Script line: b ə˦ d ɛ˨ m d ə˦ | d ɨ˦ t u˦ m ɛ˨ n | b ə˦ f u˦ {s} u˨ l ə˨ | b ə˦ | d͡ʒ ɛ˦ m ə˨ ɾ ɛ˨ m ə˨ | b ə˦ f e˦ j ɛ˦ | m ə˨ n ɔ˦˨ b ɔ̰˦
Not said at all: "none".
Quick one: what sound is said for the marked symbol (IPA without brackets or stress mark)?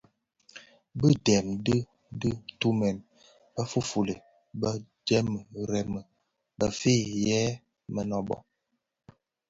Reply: f